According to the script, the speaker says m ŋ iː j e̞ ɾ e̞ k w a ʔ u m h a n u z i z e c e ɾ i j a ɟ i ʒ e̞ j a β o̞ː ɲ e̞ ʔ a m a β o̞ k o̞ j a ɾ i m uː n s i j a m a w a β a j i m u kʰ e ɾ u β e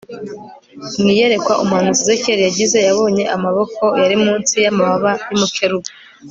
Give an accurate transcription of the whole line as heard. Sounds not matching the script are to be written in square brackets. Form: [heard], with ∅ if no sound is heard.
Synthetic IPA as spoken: m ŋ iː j e̞ ɾ e̞ k w a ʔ u m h a n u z i z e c e ɾ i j a ɟ i [z] e̞ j a β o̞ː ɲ e̞ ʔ a m a β o̞ k o̞ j a ɾ i m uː n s i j a m a [β] a β a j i m u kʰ e ɾ u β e